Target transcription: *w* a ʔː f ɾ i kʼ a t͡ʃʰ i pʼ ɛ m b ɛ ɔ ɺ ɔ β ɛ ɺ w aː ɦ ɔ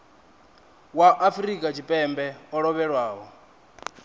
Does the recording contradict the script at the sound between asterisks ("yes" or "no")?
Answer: no